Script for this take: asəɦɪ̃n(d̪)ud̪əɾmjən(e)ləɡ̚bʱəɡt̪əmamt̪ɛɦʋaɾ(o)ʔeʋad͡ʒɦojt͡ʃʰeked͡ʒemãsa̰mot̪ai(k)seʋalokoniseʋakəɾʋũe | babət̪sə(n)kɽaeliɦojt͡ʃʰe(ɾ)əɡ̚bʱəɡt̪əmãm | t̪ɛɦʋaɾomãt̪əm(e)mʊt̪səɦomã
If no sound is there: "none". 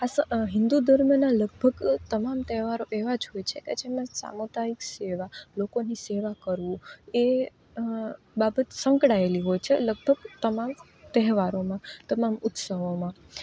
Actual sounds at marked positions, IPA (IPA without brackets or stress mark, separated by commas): d̪, a, o, k, ŋ, l, a